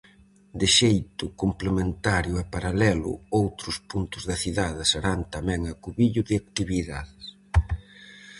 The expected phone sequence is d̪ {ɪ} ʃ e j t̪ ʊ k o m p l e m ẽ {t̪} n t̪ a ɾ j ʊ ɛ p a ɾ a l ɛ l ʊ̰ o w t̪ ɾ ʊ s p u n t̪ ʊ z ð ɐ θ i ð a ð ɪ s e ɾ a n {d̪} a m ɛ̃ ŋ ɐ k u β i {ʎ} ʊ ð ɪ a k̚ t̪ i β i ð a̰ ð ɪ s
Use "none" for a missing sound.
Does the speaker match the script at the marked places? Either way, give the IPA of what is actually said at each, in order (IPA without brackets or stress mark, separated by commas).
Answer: ɪ, none, t̪, ʎ